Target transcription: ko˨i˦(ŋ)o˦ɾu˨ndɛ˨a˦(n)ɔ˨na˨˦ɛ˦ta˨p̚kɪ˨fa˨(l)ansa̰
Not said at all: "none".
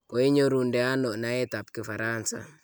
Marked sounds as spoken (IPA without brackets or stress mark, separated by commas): ɲ, n, ɾ